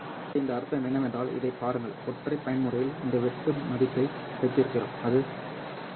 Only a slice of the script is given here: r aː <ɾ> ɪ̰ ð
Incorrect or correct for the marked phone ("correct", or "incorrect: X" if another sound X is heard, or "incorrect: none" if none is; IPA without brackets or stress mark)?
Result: incorrect: l